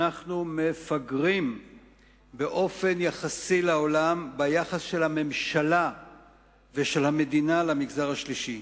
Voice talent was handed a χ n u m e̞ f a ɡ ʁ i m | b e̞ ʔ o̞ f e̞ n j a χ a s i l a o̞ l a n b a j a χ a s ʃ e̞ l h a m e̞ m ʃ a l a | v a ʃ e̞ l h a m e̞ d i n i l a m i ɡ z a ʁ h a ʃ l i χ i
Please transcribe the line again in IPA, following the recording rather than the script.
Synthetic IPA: a χ n u m e̞ f a ɡ ʁ i m | b e̞ ʔ o̞ f e̞ n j a χ a s i l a o̞ l a m b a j a χ a s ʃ e̞ l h a m e̞ m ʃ a l a | v e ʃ e̞ l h a m e̞ d i n a l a m i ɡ z a ʁ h a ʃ l i ʃ i